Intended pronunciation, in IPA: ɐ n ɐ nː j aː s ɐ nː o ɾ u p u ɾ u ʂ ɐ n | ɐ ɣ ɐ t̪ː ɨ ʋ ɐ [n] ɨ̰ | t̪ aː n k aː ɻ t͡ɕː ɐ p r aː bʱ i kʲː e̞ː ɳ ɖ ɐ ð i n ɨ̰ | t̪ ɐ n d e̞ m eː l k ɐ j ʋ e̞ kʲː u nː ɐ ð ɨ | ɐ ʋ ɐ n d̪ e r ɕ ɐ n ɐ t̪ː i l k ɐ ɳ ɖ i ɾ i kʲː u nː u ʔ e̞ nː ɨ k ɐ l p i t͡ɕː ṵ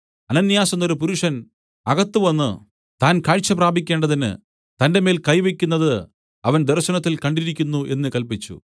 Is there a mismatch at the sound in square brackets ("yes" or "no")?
yes